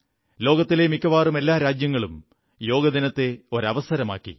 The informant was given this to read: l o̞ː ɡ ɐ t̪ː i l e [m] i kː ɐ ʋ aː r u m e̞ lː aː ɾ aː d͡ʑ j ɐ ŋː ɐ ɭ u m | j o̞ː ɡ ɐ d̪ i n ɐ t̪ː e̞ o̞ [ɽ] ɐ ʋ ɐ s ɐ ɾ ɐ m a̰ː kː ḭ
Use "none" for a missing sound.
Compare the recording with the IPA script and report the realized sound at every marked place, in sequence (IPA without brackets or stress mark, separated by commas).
m, ɾ